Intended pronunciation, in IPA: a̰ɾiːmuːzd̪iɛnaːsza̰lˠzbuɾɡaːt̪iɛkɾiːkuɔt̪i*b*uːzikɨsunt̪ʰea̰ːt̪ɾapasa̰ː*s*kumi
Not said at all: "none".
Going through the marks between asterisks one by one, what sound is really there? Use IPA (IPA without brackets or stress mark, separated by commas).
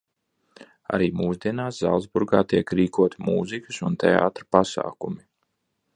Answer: m, none